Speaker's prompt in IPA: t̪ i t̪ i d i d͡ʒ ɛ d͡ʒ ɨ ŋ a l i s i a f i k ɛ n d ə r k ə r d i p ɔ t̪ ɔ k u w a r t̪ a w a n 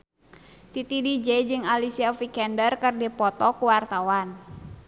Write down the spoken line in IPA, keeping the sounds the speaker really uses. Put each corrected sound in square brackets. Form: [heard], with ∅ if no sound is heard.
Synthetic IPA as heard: t̪ i t̪ i d i d͡ʒ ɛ d͡ʒ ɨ ŋ a l i s i a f i k ɛ n d ə r k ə r d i p ɔ t̪ ɔ k u w a r t̪ a w a n